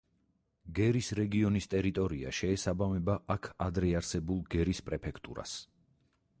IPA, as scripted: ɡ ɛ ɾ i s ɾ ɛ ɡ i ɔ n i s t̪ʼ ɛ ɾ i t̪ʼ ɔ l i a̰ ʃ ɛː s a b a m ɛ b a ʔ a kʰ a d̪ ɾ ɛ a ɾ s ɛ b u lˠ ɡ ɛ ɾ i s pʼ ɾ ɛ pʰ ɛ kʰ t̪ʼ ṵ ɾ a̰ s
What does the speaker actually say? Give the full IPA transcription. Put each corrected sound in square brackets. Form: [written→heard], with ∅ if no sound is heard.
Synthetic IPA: ɡ ɛ ɾ i s ɾ ɛ ɡ i ɔ n i s t̪ʼ ɛ ɾ i t̪ʼ ɔ [l→ɾ] i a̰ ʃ ɛː s a b a m ɛ b a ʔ a kʰ a d̪ ɾ ɛ a ɾ s ɛ b u lˠ ɡ ɛ ɾ i s pʼ ɾ ɛ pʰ ɛ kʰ t̪ʼ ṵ ɾ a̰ s